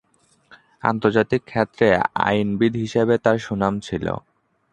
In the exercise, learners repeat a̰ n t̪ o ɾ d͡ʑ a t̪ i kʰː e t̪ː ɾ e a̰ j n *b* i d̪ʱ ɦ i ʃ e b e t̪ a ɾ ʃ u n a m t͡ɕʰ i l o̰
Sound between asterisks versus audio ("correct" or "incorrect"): correct